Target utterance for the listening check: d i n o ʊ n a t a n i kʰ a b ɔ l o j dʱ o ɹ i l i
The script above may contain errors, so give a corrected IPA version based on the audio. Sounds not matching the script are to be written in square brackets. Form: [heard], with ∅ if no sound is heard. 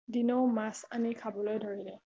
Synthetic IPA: d i n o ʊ [m] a [s] a n i kʰ a b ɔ l o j dʱ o ɹ i l [ɛ]